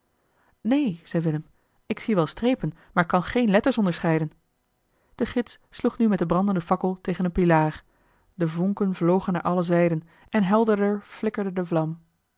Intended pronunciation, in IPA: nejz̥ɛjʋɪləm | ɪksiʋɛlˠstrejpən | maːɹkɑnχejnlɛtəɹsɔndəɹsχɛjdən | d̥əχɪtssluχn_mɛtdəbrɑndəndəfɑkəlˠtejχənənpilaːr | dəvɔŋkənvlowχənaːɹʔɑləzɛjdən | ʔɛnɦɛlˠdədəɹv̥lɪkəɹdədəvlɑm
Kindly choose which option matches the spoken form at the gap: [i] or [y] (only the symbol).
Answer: y